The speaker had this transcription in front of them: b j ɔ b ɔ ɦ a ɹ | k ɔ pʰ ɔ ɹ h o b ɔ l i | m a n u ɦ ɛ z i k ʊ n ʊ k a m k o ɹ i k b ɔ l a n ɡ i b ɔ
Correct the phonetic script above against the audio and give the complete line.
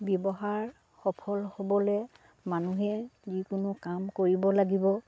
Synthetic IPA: b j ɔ b ɔ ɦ a ɹ | x ɔ pʰ ɔ l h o b ɔ l ɛ | m a n u ɦ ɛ z i k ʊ n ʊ k a m k o ɹ i b ɔ l a ɡ i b ɔ